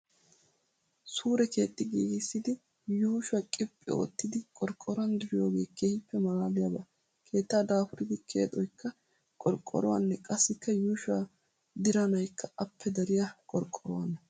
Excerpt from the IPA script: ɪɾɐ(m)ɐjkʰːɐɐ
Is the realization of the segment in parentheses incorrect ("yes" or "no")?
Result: yes